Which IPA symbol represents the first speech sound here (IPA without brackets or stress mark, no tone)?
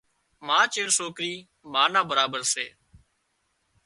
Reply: m